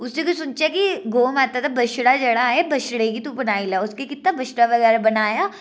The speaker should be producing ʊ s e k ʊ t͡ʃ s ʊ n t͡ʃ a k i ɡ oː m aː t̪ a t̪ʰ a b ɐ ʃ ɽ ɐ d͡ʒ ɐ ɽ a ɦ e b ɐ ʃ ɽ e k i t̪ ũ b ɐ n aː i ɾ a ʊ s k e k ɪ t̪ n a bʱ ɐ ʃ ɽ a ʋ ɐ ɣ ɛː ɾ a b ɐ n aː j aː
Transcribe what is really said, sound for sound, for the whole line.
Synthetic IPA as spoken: ʊ s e k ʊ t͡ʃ s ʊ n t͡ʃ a k i ɡ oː m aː t̪ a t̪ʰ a b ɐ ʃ ɽ a d͡ʒ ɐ ɽ a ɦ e b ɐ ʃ ɽ e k i t̪ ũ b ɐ n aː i l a ʊ s k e k ɪ t̪ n a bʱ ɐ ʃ ɽ a ʋ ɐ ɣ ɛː ɾ a b ɐ n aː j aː